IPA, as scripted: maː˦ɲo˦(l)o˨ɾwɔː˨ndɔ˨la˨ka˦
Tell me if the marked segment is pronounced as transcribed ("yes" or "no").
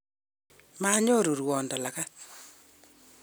no